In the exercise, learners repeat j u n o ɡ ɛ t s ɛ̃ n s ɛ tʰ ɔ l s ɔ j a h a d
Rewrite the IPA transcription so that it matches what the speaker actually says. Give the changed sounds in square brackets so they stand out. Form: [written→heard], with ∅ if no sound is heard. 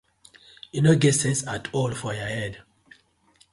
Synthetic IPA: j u n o ɡ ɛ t s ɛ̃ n s [ɛ→a] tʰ ɔ l [s→f] ɔ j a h [a→ɛ] d